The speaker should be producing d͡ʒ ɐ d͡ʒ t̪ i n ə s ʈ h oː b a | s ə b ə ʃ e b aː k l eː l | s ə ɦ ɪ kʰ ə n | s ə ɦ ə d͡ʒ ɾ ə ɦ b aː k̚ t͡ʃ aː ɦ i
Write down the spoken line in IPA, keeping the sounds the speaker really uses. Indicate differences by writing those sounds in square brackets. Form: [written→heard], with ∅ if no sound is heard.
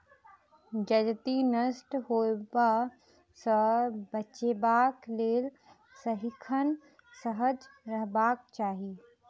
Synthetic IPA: d͡ʒ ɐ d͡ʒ t̪ i n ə s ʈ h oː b a | s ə b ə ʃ e b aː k l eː l | s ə ɦ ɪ kʰ ə n | s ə ɦ ə d͡ʒ ɾ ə ɦ b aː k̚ t͡ʃ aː ɦ i